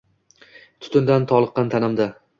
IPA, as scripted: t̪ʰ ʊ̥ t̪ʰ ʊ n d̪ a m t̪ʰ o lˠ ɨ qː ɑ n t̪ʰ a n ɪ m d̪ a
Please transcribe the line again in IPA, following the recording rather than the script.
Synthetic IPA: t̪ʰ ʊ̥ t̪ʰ ʊ n d̪ a n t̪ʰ ɒ lˠ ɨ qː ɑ n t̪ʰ a n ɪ m d̪ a

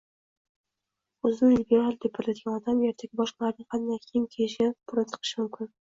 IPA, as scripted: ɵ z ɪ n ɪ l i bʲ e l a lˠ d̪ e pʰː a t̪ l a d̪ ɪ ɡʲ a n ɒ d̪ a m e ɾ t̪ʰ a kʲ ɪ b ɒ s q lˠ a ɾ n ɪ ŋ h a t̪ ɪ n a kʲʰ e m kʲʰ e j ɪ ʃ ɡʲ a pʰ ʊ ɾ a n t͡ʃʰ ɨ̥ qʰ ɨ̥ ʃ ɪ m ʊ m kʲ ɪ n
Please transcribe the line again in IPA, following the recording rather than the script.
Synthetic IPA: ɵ z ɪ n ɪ l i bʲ e ɾ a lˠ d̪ e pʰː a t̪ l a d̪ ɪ ɡʲ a n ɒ d̪ a m e ɾ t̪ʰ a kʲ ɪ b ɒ ʃ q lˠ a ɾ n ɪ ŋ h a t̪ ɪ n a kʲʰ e m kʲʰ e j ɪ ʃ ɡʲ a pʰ ʊ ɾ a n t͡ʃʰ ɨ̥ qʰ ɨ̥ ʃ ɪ m ʊ m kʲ ɪ n

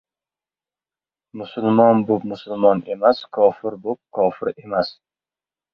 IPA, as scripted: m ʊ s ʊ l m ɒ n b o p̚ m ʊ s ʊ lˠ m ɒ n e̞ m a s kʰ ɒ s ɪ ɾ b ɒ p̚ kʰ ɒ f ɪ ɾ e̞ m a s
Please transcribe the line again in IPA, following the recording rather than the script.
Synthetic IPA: m ʊ s ʊ l m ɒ n b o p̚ m ʊ s ʊ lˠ m ɒ n e̞ m a s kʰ ɒ f ɪ ɾ b o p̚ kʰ ɒ f ɪ ɾ e̞ m a s

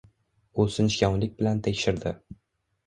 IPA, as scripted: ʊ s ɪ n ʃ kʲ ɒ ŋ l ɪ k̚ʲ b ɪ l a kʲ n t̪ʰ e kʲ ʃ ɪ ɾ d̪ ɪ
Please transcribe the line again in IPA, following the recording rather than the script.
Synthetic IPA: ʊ s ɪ n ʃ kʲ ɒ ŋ l ɪ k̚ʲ b ɪ l a n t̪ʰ e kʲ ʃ ɪ ɾ d̪ ɪ

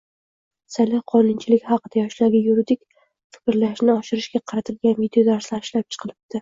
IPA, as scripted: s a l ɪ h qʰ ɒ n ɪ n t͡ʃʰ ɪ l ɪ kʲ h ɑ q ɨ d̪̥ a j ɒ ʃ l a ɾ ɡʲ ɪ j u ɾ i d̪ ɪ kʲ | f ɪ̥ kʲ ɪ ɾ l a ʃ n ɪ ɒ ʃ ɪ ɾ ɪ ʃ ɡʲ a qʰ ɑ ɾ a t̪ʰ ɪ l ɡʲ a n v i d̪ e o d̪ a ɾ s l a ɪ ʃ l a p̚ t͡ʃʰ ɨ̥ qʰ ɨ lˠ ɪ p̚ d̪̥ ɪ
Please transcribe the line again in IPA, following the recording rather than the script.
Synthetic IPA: s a l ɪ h qʰ ɒ n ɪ n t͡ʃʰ ɪ l ɪ kʲ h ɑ q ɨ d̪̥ a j ɒ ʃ l a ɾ ɡʲ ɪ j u ɾ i d̪ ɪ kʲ | f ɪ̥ kʲ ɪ ɾ l a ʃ n ɪ ɒ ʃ ɪ ɾ ɪ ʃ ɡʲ a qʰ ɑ ɾ a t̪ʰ ɪ l ɡʲ a n v i d̪ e o d̪ a ɾ s l a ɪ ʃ l a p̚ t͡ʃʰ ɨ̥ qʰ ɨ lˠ ɪ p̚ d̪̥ ɪ

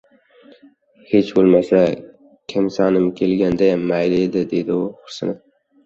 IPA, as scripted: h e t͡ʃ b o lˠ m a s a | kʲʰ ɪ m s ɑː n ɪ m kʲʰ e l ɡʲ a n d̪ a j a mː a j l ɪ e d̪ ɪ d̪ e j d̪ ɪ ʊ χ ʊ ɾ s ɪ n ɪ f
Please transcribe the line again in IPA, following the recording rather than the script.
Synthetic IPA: h e t͡ʃ b o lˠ m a s a | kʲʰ ɪ m s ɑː n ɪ m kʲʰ e l ɡʲ a n d̪ a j a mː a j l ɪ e d̪ ɪ d̪ e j d̪ ɪ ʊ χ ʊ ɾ s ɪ n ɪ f

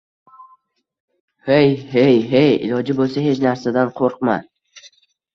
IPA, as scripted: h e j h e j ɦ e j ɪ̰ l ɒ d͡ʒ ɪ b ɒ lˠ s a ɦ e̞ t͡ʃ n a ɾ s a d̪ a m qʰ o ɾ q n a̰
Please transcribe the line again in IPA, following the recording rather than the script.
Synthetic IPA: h e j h e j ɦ e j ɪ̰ l ɒ d͡ʒ ɪ b o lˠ s a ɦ e̞ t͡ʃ n a ɾ s a d̪ a n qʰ o ɾ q m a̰

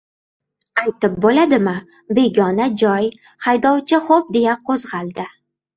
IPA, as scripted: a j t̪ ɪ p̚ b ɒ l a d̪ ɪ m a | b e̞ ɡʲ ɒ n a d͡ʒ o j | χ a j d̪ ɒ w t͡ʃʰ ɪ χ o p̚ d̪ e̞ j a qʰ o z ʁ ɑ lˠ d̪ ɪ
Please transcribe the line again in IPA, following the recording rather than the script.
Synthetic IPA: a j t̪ ɪ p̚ b o l a d̪ ɪ m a | b e̞ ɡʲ ɒ n a d͡ʒ ɒ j | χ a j d̪ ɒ w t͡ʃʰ ɪ χ o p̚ d̪ e̞ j a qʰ o z ʁ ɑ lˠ d̪ ɪ

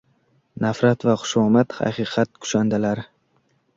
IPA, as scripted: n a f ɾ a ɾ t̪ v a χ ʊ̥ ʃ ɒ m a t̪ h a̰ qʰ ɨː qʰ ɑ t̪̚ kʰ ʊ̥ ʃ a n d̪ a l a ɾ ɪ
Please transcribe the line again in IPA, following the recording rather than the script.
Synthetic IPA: n a f ɾ a t̪ v a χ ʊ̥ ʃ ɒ m a t̪ h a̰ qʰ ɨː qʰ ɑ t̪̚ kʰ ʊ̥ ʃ a n d̪ a l a ɾ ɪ

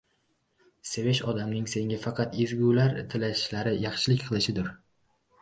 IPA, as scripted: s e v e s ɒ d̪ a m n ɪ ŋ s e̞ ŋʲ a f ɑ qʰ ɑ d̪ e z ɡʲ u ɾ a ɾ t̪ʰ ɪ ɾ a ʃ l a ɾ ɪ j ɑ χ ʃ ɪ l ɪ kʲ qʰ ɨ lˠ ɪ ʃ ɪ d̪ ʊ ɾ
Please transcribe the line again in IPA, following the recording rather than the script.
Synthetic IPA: s e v e ʃ ɒ d̪ a m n ɪ ŋ s e̞ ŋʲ a f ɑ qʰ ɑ t̪ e z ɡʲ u l a ɾ t̪ʰ ɪ l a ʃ l a ɾ ɪ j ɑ χ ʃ ɪ l ɪ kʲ qʰ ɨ lˠ ɪ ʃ ɪ d̪ ʊ ɾ

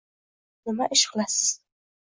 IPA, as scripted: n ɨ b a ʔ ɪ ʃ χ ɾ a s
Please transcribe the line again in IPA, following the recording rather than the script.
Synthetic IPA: n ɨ m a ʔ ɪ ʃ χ l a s

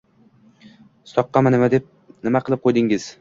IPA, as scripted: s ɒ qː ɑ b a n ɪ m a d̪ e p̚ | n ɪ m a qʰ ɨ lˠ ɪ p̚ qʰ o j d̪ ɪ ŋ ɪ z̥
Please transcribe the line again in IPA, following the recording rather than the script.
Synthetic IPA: s ɒ qː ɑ m a n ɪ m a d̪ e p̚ | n ɪ m a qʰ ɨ lˠ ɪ p̚ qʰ o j d̪ ɪ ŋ ɪ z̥

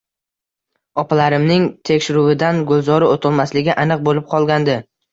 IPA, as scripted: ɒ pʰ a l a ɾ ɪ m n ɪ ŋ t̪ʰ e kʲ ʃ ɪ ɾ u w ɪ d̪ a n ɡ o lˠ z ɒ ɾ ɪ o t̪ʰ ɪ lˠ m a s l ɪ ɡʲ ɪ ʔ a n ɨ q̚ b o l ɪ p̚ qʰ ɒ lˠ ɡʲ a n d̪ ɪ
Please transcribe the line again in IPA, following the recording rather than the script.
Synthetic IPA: ɒ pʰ a l a ɾ ɪ m n ɪ ŋ t̪ʰ e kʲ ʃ ɪ ɾ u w ɪ d̪ a n ɡ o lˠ z ɒ ɾ ɪ o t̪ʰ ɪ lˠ m a s l ɪ ɡʲ ɪ ʔ a n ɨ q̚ b o l ɪ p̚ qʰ ɒ lˠ ɡʲ a n d̪ ɪ

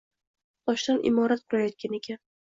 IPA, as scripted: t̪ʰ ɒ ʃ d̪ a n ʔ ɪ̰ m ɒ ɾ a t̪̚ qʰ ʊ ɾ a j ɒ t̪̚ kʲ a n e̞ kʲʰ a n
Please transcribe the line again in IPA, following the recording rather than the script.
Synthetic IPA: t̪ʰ ɒ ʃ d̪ a n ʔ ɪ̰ m ɒ ɾ a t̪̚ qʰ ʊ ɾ a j ɒ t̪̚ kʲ a n e̞ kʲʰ a n

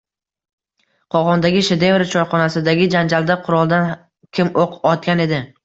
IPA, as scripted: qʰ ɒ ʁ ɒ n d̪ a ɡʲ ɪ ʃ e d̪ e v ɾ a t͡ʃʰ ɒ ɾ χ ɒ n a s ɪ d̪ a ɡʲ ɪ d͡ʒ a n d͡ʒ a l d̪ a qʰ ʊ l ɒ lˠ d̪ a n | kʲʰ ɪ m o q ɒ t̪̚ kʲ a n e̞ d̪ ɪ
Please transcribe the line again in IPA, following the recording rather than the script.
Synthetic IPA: qʰ ɒ ʁ ɒ n d̪ a ɡʲ ɪ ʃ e d̪ e v ɾ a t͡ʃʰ ɒ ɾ χ ɒ n a s ɪ d̪ a ɡʲ ɪ d͡ʒ a n d͡ʒ a l d̪ a qʰ ʊ ɾ ɒ lˠ d̪ a n | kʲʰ ɪ m o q ɒ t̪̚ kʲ a n e̞ d̪ ɪ

